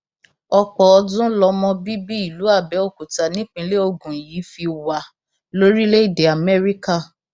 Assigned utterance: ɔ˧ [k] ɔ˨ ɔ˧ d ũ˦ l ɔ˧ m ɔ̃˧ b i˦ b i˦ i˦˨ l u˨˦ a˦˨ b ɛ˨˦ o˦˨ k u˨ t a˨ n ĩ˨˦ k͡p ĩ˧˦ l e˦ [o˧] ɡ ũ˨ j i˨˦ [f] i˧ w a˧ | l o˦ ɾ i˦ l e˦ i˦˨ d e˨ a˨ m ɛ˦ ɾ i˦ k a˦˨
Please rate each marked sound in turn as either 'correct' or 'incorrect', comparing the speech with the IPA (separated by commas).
incorrect, correct, correct